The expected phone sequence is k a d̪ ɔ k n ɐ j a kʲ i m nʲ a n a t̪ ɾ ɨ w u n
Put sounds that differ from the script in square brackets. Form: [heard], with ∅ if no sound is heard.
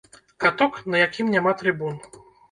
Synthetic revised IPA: k a [t̪] ɔ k n ɐ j a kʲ i m nʲ a [m] a t̪ ɾ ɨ [b] u n